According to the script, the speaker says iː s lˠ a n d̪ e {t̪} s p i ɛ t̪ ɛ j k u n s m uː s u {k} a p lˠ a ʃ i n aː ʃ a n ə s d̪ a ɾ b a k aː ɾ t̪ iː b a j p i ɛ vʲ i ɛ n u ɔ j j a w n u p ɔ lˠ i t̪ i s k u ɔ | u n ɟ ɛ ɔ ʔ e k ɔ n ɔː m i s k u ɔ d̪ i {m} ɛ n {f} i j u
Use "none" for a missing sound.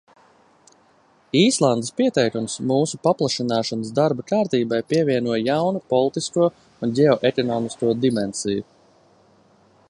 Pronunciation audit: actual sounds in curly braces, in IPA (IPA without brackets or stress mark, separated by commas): none, p, m, s